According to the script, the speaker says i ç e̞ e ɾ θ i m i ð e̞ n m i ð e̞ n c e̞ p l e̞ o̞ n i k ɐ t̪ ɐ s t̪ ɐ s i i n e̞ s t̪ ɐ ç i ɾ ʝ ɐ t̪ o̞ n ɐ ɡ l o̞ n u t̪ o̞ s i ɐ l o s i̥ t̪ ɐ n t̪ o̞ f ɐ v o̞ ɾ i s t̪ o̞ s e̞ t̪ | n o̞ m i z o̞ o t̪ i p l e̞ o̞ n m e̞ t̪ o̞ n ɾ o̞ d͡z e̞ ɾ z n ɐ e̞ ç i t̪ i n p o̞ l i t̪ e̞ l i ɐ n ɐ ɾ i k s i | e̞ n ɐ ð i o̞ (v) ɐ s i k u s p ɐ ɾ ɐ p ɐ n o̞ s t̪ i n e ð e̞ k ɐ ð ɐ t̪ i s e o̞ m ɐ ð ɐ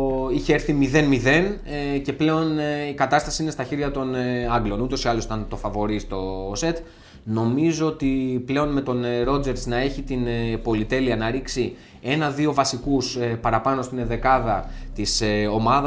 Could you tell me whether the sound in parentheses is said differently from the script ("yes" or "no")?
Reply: no